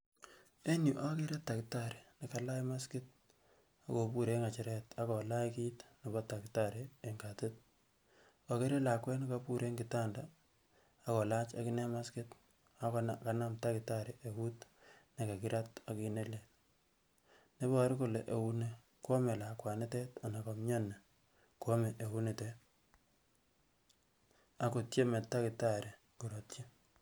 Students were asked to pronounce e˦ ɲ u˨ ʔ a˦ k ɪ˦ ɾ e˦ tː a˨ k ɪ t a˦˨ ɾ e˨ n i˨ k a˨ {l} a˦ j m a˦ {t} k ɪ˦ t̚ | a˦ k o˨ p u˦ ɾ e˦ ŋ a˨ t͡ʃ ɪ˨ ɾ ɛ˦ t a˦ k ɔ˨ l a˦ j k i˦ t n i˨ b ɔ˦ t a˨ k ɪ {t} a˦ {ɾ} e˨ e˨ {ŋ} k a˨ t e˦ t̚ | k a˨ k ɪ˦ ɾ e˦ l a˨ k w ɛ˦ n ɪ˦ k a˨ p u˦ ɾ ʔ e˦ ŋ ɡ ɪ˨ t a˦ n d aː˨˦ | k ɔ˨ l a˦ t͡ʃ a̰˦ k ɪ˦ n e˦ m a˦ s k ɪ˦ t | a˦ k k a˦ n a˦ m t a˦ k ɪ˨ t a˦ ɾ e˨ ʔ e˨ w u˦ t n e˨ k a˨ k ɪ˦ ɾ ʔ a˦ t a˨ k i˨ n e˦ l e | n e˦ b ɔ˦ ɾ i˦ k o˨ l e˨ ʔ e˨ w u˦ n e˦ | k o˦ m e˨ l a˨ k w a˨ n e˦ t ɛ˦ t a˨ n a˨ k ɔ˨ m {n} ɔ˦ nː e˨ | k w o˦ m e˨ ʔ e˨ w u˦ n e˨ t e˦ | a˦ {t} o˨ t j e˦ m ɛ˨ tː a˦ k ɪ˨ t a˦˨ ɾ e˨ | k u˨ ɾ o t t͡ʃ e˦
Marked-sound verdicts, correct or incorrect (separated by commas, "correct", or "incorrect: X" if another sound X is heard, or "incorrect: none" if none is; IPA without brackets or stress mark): correct, incorrect: s, correct, correct, correct, incorrect: ɲ, incorrect: k